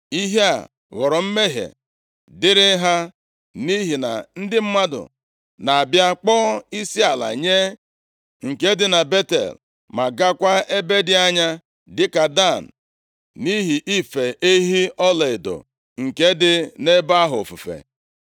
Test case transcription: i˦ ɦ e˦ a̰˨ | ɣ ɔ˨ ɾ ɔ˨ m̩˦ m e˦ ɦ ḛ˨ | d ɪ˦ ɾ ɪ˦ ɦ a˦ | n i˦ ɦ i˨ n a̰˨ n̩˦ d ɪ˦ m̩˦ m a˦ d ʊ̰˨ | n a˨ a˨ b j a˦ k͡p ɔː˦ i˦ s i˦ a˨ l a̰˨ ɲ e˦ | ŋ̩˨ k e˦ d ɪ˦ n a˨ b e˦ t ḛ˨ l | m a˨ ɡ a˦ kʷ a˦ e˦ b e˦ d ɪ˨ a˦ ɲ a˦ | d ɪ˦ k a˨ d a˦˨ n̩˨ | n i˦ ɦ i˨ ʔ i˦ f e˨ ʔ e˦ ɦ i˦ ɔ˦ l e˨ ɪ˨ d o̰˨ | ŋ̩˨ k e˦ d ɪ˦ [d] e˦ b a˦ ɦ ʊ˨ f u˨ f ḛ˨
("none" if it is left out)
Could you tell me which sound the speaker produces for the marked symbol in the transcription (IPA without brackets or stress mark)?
n